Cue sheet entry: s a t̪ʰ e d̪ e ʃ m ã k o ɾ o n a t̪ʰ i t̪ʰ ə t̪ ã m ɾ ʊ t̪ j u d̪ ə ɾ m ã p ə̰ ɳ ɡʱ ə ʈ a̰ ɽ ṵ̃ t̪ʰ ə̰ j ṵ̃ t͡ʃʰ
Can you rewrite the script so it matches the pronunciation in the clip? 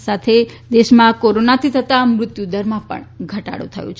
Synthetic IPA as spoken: s a t̪ʰ e d̪ e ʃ m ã k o ɾ o n a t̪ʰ i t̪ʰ ə t̪ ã m ɾ ʊ t̪ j u d̪ ə ɾ m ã p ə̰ ɳ ɡʱ ə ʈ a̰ ɽ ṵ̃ t̪ʰ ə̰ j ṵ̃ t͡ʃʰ